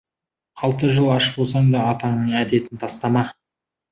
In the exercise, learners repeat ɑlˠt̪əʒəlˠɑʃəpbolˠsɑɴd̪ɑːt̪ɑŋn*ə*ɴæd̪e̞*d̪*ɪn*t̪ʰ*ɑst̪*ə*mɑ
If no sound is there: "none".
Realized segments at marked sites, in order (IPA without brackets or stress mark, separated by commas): ə, t̪, t̪ʰ, ɑ